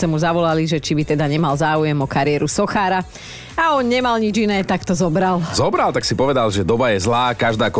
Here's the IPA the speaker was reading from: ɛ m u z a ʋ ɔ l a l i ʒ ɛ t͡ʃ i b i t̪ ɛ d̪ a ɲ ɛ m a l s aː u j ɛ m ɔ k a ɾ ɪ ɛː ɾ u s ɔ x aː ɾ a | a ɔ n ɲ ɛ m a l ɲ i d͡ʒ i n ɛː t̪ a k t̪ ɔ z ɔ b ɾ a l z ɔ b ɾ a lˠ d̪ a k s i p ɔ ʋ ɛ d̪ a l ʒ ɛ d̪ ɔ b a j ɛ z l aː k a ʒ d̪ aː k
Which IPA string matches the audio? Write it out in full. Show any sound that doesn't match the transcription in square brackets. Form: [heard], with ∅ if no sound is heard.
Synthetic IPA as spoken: ɛ m u z a ʋ ɔ l a l i ʒ ɛ t͡ʃ i b i t̪ ɛ d̪ a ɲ ɛ m a l [z] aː u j ɛ m ɔ k a ɾ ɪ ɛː ɾ u s ɔ x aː ɾ a | a ɔ n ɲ ɛ m a l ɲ i d͡ʒ i n ɛː t̪ a k t̪ ɔ z ɔ b ɾ a l z ɔ b ɾ a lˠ [t̪] a k s i p ɔ ʋ ɛ d̪ a l ʒ ɛ d̪ ɔ b a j ɛ z l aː k a ʒ d̪ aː k